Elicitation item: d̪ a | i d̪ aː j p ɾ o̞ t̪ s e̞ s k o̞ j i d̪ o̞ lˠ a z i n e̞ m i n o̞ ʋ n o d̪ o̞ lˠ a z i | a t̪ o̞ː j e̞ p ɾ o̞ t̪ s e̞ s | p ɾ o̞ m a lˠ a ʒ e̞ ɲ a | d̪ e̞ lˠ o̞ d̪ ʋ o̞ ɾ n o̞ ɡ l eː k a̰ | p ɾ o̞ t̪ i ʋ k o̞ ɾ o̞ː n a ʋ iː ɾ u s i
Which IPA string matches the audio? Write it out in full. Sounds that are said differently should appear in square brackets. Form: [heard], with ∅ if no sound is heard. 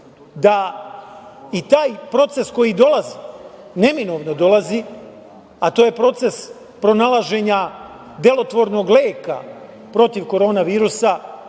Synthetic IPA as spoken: d̪ a | i [t̪] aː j p ɾ o̞ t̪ s e̞ s k o̞ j i d̪ o̞ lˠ a z i n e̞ m i n o̞ ʋ n o d̪ o̞ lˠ a z i | a t̪ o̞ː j e̞ p ɾ o̞ t̪ s e̞ s | p ɾ o̞ [n] a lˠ a ʒ e̞ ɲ a | d̪ e̞ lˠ o̞ [t̪] ʋ o̞ ɾ n o̞ ɡ l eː k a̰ | p ɾ o̞ t̪ i ʋ k o̞ ɾ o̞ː n a ʋ iː ɾ u s [a]

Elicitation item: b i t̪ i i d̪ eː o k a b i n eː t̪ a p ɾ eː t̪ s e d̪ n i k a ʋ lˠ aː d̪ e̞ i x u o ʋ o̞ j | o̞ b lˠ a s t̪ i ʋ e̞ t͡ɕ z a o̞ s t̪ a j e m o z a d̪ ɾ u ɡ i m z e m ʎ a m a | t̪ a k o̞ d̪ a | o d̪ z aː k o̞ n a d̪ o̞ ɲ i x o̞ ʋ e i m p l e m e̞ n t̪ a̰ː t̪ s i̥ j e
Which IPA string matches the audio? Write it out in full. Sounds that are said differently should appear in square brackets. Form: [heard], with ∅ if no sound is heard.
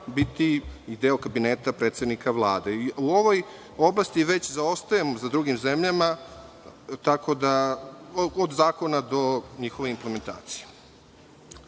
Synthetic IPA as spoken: b i t̪ i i d̪ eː o k a b i n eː t̪ a p ɾ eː t̪ s e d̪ n i k a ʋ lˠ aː d̪ e̞ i [∅] u o ʋ o̞ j | o̞ b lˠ a s t̪ i ʋ e̞ t͡ɕ z a o̞ s t̪ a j e m o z a d̪ ɾ u ɡ i m z e m ʎ a m a | t̪ a k o̞ d̪ a | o d̪ z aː k o̞ n a d̪ o̞ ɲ i x o̞ ʋ e i m p l e m e̞ n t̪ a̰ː t̪ s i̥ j e

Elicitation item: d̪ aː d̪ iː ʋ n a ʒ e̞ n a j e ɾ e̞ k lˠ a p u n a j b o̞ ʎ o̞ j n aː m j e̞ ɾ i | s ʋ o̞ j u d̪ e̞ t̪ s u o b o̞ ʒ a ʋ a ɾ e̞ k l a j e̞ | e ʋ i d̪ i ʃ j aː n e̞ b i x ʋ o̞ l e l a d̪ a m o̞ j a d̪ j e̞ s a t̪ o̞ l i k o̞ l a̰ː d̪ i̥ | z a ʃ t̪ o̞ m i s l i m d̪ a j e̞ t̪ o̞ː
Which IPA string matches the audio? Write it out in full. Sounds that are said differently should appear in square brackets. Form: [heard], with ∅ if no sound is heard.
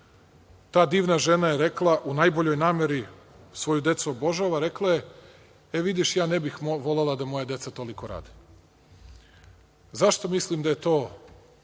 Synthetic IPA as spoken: [t̪] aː d̪ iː ʋ n a ʒ e̞ n a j e ɾ e̞ k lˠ a [ʔ] u n a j b o̞ ʎ o̞ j n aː m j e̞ ɾ i | s ʋ o̞ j u d̪ e̞ t̪ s u o b o̞ ʒ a ʋ a ɾ e̞ k l a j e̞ | e ʋ i d̪ i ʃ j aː n e̞ b i x ʋ o̞ l e l a d̪ a m o̞ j a d̪ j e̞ s a t̪ o̞ l i k o̞ [ɾ] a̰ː d̪ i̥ | z a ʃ t̪ o̞ m i s l i m d̪ a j e̞ t̪ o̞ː

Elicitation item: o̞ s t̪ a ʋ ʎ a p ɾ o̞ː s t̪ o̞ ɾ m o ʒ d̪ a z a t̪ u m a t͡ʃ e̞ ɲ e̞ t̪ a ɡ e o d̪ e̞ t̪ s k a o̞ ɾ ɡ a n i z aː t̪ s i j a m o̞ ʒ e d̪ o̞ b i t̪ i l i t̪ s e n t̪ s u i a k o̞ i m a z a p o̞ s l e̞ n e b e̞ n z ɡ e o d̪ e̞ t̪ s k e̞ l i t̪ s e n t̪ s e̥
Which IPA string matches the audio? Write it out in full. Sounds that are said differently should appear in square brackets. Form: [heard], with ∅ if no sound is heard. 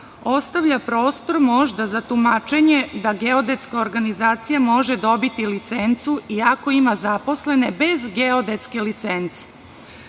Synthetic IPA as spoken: o̞ s t̪ a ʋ ʎ a p ɾ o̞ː s t̪ o̞ ɾ m o ʒ d̪ a z a t̪ u m a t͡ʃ e̞ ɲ e̞ [d̪] a ɡ e o d̪ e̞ t̪ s k a o̞ ɾ ɡ a n i z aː t̪ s i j a m o̞ ʒ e d̪ o̞ b i t̪ i l i t̪ s e n t̪ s u i a k o̞ i m a z a p o̞ s l e̞ n e b e̞ [∅] z ɡ e o d̪ e̞ t̪ s k e̞ l i t̪ s e n t̪ s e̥

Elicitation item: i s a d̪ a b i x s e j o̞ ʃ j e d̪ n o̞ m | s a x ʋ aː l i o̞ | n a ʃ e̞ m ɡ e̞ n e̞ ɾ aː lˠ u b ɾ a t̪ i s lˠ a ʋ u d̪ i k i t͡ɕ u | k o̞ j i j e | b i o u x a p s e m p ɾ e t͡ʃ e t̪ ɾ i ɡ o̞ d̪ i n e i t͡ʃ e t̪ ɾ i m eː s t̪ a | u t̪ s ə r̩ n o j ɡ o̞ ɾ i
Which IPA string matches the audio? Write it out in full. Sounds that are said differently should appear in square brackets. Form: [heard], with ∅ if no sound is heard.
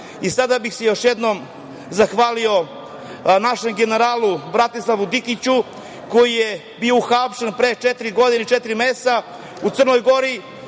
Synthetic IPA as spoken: i s a d̪ a b i x s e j o̞ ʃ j e d̪ n o̞ m | [z] a x ʋ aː l i o̞ | n a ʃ e̞ m ɡ e̞ n e̞ ɾ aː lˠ u b ɾ a t̪ i s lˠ a ʋ u d̪ i k i t͡ɕ u | k o̞ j i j e | b i o u x a p [ʃ] e [n] p ɾ e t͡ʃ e t̪ ɾ i ɡ o̞ d̪ i n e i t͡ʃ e t̪ ɾ i m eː s t̪ a | u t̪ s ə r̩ n o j ɡ o̞ ɾ i

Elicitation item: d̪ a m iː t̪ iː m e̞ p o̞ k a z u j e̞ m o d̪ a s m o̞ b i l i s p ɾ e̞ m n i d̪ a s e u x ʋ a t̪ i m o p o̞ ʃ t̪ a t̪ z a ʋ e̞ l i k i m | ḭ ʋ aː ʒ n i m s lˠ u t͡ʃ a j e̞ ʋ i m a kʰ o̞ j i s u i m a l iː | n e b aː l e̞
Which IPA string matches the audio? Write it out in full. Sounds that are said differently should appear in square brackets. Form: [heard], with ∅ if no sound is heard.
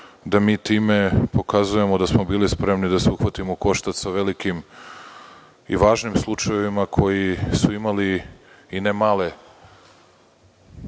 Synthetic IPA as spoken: d̪ a m iː t̪ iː m e̞ p o̞ k a z u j e̞ m o d̪ a s m o̞ b [iː] l i s p ɾ e̞ m n i d̪ a s e u x ʋ a t̪ i m o [k] o̞ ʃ t̪ a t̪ [s] a ʋ e̞ l i k i m | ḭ ʋ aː ʒ n i m s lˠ u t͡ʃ a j e̞ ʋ i m a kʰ o̞ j i s u i m a l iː | n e [m] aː l e̞

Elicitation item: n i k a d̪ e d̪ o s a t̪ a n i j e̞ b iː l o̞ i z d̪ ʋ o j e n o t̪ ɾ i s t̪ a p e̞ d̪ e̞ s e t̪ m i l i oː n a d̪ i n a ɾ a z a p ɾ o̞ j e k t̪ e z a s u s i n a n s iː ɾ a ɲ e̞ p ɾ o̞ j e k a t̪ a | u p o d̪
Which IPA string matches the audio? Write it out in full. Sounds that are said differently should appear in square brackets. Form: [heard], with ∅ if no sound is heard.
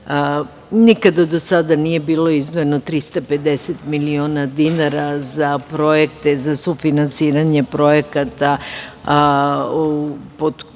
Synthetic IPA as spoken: n i k a d̪ [a] d̪ o s a [d̪] a n i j e̞ b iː l o̞ i z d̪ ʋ o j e n o t̪ ɾ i s t̪ a p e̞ d̪ e̞ s e t̪ m i l i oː n a d̪ i n a ɾ a z a p ɾ o̞ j e k t̪ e z a s u [f] i n a n s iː ɾ a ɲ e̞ p ɾ o̞ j e k a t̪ a | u p o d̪

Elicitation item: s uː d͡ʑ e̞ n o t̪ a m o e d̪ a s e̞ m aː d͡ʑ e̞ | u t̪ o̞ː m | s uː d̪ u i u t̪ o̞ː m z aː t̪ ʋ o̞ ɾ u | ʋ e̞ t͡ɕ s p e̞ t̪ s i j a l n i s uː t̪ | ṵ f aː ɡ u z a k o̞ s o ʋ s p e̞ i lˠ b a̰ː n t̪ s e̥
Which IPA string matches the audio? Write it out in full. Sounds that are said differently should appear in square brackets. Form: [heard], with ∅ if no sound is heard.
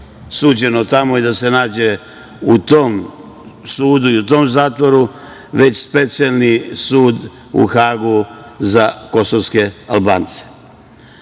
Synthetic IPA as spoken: s uː d͡ʑ e̞ n o t̪ a m o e d̪ a s e̞ [n] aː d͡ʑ e̞ | u t̪ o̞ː m | s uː d̪ u i u t̪ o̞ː m z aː t̪ ʋ o̞ ɾ u | ʋ e̞ t͡ɕ s p e̞ t̪ s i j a l n i s uː [d̪] | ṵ [x] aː ɡ u z a k o̞ s o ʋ s [k] e̞ [a] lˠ b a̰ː n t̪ s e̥

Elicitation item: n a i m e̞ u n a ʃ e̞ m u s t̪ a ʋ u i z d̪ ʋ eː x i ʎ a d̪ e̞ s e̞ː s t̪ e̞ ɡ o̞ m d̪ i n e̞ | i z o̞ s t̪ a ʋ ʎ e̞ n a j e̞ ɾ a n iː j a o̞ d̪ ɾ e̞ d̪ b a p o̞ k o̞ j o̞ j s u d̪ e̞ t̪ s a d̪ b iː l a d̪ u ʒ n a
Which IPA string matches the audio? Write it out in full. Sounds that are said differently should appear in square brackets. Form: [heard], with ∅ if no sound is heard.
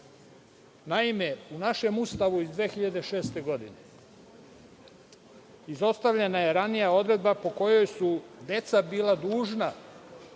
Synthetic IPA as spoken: n a i m e̞ u n a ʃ e̞ m u s t̪ a ʋ u i z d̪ ʋ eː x i ʎ a d̪ e̞ [ʃ] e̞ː s t̪ e̞ ɡ o̞ [∅] d̪ i n e̞ | i z o̞ s t̪ a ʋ ʎ e̞ n a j e̞ ɾ a n [i] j a o̞ d̪ ɾ e̞ d̪ b a p o̞ k o̞ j o̞ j s u d̪ e̞ t̪ s a [∅] b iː l a d̪ [uː] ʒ n a

